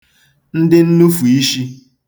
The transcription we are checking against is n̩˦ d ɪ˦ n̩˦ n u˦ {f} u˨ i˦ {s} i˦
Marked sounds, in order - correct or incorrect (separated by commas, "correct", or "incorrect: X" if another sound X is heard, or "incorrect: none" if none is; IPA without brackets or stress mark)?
correct, incorrect: ʃ